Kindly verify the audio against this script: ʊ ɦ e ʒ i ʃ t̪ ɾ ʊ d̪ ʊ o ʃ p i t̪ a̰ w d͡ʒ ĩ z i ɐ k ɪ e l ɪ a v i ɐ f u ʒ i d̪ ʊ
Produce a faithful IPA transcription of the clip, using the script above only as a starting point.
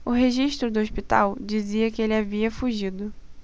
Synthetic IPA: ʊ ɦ e ʒ i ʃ t̪ ɾ ʊ d̪ ʊ o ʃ p i t̪ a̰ w d͡ʒ i z i ɐ k ɪ e l ɪ a v i ɐ f u ʒ i d̪ ʊ